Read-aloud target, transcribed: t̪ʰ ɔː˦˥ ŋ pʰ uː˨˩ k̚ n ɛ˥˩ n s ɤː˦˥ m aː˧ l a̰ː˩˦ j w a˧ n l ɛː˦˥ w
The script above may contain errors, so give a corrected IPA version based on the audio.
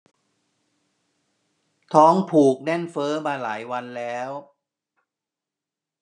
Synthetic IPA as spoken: t̪ʰ ɔː˦˥ ŋ pʰ uː˨˩ k̚ n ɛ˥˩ n f ɤː˦˥ m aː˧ l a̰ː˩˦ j w a˧ n l ɛː˦˥ w